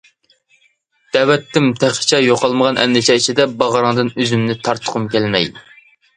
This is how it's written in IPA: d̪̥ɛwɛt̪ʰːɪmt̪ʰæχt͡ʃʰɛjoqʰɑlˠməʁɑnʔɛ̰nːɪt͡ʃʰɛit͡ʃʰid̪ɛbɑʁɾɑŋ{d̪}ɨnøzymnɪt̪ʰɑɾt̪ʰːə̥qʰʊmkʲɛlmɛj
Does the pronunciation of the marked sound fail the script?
no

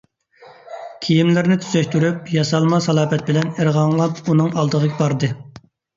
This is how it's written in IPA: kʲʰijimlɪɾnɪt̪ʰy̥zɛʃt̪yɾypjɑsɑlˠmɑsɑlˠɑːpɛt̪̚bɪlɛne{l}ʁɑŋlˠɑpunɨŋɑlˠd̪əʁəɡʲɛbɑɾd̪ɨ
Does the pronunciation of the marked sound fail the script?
yes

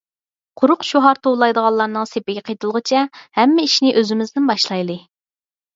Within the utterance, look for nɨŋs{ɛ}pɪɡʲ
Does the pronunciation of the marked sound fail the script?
yes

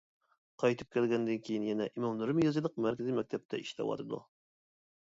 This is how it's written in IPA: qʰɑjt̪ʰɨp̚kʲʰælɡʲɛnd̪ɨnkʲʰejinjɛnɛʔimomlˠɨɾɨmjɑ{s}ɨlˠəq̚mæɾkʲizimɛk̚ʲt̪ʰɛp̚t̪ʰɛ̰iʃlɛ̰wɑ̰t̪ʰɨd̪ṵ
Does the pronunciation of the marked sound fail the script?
yes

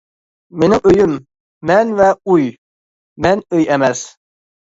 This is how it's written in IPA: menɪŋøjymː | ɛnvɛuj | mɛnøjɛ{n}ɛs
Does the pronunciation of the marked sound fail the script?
yes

